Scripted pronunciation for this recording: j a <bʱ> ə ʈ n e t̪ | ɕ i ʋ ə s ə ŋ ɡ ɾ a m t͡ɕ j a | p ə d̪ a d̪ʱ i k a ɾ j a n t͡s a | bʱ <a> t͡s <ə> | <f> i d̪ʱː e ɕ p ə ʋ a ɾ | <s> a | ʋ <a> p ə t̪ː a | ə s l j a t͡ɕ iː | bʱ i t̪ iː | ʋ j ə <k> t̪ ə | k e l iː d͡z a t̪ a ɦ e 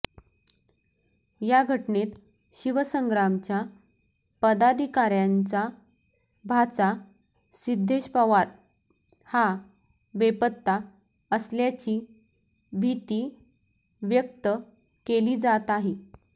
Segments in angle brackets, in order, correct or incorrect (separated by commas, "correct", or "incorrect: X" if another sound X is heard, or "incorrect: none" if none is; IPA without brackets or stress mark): incorrect: ɡʱ, correct, incorrect: a, incorrect: s, incorrect: h, incorrect: e, correct